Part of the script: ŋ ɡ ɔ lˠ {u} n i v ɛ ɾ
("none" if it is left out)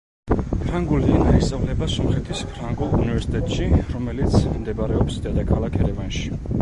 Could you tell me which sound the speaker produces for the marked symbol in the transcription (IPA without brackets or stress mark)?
u